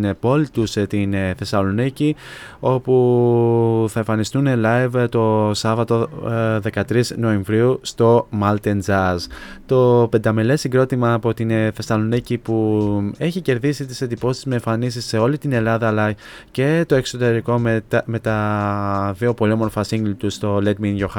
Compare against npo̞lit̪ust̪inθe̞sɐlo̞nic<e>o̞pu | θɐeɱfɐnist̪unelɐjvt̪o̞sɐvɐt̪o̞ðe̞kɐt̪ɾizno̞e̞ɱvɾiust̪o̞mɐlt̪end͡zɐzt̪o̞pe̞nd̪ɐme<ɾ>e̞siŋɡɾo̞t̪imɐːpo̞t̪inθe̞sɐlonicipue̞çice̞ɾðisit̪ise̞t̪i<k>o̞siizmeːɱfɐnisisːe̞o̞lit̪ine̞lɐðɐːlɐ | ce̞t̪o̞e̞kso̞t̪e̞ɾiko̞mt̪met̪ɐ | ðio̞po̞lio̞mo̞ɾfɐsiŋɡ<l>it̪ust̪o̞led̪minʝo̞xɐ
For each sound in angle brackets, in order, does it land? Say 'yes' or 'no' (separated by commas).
no, no, no, yes